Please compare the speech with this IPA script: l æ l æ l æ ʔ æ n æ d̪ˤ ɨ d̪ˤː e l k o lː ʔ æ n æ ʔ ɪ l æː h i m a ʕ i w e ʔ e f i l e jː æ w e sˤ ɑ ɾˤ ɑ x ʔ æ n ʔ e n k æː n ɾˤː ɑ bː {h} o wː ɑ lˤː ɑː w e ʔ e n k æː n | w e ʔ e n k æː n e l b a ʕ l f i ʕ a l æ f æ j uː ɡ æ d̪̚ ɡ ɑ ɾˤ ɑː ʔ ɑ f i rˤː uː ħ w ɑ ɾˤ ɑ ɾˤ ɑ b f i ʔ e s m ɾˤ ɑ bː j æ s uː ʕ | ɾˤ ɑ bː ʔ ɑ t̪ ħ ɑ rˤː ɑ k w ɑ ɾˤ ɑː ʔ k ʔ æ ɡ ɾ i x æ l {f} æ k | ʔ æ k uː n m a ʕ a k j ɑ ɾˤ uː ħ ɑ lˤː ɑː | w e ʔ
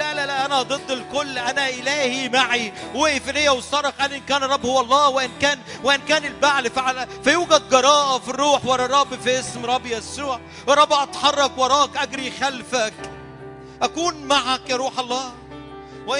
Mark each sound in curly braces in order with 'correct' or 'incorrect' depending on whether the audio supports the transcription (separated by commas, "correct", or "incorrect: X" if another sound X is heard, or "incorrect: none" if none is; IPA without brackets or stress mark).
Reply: correct, correct